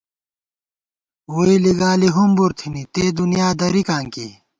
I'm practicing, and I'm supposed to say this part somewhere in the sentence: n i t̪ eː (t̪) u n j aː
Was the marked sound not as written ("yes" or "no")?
yes